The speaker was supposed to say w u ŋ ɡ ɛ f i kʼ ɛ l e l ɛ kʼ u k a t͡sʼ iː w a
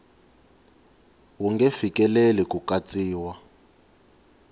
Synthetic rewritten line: w u ŋ ɡ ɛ f i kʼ ɛ l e l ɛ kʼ u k a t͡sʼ iː w a

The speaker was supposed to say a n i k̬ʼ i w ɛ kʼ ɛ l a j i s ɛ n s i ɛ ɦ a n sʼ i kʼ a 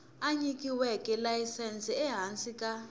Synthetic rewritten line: a ɲ i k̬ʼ i w ɛ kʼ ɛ l a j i s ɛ n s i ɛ ɦ a n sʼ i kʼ a

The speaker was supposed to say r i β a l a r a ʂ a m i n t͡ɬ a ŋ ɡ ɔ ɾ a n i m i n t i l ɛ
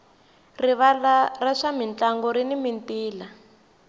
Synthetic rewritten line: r i β a l a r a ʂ a m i n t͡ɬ a ŋ ɡ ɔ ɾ i n i m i n t iː l a

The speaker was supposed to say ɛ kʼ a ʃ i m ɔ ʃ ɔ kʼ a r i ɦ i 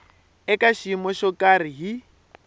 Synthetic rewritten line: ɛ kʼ a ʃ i m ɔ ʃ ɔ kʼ a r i ɦ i

